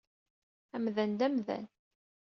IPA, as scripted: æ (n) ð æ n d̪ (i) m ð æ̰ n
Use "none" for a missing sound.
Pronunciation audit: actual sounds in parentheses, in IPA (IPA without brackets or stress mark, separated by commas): m, æ